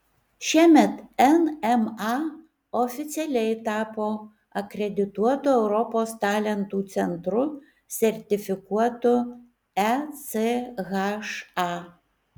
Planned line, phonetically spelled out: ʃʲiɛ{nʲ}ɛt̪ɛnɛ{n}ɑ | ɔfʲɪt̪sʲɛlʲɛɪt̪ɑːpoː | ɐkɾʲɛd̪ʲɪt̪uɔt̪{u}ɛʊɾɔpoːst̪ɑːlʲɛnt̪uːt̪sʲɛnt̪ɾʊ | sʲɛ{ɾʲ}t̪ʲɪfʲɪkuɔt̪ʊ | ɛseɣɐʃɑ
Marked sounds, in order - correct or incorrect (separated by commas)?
incorrect, incorrect, incorrect, correct